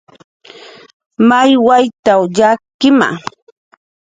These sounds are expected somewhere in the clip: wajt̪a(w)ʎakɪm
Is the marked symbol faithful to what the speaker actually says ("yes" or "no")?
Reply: yes